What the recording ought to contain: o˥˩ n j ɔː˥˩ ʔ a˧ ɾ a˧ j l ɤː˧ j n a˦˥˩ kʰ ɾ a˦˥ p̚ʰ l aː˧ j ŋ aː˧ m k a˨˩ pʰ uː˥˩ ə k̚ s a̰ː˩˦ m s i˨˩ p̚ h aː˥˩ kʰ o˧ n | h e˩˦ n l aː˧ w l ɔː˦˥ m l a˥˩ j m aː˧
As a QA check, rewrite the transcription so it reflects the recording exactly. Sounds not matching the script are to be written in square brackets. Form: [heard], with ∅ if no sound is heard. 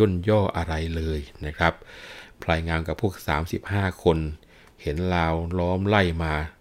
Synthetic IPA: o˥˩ n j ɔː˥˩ ʔ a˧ ɾ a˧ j l ɤː˧ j n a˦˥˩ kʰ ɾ a˦˥ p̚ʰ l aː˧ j ŋ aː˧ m k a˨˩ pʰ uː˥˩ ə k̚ s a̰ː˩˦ m s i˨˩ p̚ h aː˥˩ kʰ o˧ n | h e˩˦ n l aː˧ w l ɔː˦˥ m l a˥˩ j m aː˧